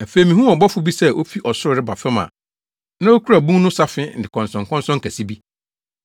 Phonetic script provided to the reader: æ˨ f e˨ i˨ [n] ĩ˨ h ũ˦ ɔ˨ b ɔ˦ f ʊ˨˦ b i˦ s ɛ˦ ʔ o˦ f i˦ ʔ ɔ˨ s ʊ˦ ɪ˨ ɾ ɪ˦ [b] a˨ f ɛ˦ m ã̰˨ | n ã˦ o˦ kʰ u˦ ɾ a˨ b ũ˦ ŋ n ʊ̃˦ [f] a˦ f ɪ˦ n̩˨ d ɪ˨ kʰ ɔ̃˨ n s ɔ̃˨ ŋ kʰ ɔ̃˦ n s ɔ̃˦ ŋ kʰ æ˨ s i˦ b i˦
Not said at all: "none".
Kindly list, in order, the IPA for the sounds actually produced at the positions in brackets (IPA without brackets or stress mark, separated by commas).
m, b, s